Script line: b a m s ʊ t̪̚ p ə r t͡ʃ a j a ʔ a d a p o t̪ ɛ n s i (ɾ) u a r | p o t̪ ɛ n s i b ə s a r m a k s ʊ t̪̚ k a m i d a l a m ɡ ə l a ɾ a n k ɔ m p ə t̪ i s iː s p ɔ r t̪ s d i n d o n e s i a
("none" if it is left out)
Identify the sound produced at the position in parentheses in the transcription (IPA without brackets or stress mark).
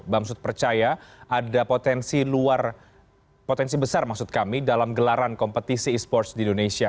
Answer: l